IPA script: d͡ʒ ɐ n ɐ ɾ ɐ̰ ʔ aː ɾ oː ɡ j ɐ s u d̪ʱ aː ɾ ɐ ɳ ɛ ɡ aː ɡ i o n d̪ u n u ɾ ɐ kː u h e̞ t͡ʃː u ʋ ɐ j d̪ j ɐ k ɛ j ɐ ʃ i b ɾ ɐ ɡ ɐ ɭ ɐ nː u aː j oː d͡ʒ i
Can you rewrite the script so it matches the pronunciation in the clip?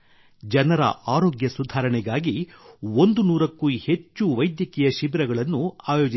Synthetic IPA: d͡ʒ ɐ n ɐ ɾ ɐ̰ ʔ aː ɾ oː ɡ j ɐ s u d̪ʱ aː ɾ ɐ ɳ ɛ ɡ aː ɡ i o n d̪ u n uː ɾ ɐ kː u h e̞ t͡ʃː u ʋ ɐ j d̪ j ɐ k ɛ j ɐ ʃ i b ɾ ɐ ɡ ɐ ɭ ɐ nː u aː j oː d͡ʒ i